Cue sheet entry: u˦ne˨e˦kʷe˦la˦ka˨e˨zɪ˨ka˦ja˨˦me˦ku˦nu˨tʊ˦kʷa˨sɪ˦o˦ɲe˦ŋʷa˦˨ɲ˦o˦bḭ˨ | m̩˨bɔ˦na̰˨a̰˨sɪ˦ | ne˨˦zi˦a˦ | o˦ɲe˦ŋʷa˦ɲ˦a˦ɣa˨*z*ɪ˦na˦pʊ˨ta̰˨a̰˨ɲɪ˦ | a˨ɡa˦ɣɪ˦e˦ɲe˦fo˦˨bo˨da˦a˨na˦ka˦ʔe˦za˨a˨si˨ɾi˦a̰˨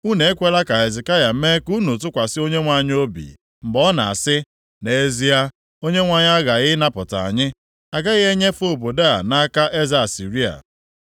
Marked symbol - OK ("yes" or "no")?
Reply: no